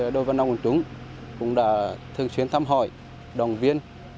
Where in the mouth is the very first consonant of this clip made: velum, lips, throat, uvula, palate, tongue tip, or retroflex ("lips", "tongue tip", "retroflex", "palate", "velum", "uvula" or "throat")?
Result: tongue tip